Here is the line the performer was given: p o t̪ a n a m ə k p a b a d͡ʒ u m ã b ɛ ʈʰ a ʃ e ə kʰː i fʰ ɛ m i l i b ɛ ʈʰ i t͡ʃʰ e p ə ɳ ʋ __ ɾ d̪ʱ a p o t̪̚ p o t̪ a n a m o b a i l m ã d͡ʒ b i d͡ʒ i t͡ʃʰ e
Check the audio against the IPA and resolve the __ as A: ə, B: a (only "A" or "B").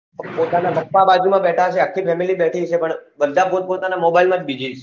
A